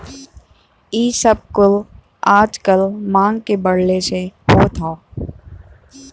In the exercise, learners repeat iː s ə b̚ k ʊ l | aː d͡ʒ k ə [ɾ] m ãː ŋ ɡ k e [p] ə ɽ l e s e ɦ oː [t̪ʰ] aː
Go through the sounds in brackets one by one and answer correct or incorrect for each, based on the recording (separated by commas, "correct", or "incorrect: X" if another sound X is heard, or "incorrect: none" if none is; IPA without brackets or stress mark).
incorrect: l, incorrect: b, correct